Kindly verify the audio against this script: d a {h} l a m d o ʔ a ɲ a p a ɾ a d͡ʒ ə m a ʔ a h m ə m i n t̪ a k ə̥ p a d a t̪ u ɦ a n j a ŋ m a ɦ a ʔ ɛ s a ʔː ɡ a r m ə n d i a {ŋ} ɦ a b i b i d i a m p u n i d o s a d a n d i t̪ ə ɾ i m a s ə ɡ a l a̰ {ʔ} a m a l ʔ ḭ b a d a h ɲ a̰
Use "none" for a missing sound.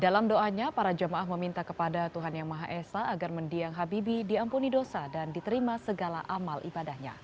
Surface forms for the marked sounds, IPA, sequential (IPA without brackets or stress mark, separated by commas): none, ŋ, ʔ